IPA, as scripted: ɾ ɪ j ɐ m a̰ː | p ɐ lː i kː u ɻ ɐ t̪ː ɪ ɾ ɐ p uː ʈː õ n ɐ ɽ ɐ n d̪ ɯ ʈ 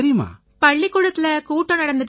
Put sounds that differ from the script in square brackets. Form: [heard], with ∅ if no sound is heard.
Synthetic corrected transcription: ɾ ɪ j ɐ m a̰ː | p ɐ [ɭː] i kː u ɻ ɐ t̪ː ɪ [l] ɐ [k] uː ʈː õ n ɐ ɽ ɐ n d̪ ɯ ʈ